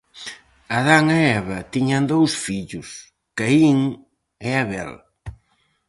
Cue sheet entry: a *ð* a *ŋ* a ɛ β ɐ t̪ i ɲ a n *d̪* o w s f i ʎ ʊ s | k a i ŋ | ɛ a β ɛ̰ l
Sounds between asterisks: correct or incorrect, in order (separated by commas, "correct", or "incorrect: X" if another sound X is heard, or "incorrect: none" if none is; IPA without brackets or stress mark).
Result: correct, correct, correct